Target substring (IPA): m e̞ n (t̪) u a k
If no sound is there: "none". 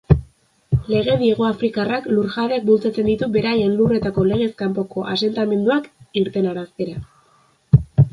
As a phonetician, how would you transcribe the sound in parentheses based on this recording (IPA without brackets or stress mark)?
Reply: d̪